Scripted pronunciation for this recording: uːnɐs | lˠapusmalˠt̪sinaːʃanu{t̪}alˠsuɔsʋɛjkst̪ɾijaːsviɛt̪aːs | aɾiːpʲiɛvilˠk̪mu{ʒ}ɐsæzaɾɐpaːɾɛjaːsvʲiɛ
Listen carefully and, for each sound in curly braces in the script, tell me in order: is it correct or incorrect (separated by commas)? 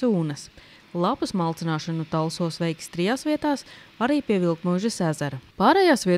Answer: correct, correct